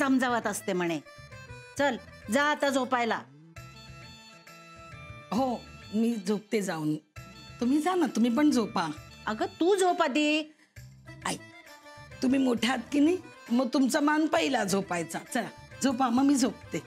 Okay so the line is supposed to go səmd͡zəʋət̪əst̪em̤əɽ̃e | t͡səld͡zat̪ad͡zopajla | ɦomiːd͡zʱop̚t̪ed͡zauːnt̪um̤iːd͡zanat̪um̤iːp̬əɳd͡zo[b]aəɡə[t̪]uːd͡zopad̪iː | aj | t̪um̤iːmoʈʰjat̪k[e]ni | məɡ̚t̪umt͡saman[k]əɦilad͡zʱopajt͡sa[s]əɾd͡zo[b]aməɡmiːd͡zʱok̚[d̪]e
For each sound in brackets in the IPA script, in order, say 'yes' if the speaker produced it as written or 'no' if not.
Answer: no, yes, no, no, no, no, no

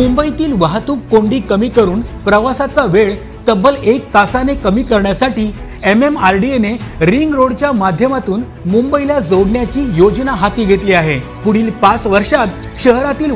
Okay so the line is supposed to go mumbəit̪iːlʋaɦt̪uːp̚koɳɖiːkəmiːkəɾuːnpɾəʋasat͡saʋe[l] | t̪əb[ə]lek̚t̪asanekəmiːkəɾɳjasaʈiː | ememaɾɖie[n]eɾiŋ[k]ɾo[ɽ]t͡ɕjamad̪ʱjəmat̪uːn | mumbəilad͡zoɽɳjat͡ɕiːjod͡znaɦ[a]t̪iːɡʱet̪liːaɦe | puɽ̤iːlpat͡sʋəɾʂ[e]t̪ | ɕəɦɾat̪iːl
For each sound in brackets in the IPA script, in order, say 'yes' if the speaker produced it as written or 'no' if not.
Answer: no, yes, yes, no, yes, yes, no

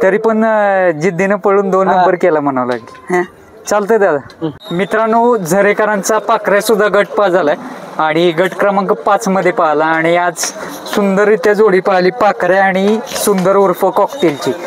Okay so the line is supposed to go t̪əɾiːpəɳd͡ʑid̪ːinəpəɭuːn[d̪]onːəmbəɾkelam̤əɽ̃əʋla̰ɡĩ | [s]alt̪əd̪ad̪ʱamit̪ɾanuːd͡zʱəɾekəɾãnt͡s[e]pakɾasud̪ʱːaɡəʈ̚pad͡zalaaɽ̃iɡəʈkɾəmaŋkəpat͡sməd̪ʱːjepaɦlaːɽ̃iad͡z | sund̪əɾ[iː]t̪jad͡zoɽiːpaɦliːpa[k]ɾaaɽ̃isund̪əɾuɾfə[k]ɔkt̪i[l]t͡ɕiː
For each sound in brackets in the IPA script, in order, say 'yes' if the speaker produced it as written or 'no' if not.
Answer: yes, no, no, no, yes, yes, yes

